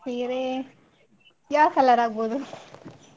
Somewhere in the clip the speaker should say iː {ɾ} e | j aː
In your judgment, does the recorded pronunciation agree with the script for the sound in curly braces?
yes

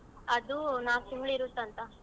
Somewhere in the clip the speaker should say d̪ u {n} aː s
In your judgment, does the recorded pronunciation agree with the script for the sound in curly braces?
yes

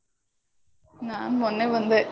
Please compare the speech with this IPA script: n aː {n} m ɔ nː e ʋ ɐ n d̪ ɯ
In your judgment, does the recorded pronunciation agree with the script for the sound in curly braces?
yes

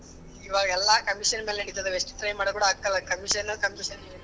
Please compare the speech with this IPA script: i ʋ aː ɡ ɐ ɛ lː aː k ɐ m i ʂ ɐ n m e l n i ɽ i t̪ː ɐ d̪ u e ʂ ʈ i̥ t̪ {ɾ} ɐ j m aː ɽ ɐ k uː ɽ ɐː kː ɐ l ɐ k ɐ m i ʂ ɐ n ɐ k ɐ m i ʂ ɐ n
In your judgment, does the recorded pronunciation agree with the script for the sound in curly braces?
yes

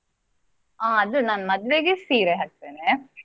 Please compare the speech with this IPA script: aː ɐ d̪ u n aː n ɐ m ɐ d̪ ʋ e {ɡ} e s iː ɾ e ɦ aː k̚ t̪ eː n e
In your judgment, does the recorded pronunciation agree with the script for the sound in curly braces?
yes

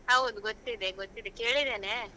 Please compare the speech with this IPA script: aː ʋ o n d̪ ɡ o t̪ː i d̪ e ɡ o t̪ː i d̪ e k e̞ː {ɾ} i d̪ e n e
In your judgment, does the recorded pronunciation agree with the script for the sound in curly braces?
no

